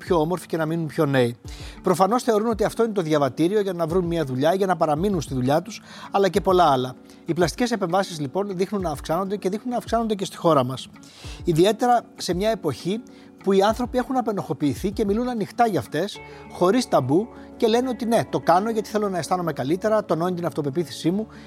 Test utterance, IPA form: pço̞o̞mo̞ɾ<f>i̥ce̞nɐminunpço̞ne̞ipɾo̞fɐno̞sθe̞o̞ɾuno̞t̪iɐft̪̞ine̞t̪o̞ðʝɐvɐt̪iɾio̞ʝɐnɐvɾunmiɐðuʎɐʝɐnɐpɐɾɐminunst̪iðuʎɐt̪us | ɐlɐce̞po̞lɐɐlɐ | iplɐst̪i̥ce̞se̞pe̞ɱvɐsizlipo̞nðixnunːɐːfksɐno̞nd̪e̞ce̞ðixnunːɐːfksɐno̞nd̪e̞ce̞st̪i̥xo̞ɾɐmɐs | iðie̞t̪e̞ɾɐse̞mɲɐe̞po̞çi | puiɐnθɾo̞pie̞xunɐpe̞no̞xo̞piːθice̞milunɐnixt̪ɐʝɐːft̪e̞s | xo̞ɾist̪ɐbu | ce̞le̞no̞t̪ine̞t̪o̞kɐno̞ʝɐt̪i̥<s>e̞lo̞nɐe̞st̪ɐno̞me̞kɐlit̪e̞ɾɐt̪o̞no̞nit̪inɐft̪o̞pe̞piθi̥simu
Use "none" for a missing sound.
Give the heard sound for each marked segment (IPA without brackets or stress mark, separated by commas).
f, θ